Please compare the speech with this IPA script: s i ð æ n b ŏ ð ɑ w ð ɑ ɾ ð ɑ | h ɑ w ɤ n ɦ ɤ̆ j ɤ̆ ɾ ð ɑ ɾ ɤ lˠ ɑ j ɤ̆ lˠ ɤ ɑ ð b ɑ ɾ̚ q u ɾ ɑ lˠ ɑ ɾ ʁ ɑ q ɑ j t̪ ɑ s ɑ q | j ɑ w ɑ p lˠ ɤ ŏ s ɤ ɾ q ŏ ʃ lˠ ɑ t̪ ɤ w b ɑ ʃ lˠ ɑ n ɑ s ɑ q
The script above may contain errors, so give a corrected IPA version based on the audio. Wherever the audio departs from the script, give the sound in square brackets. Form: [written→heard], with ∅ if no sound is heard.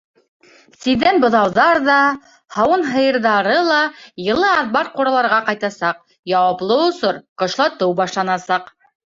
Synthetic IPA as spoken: s i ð æ n b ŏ ð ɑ w ð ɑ ɾ ð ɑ | h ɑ w ɤ n ɦ ɤ̆ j ɤ̆ ɾ ð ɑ ɾ ɤ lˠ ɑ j ɤ̆ lˠ ɤ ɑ ð b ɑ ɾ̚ q u ɾ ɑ lˠ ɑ ɾ ʁ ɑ q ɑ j t̪ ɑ s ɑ q | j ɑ w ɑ p lˠ ɤ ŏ s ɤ ɾ q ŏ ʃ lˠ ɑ t̪ ɤ w b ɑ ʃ lˠ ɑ n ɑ s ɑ q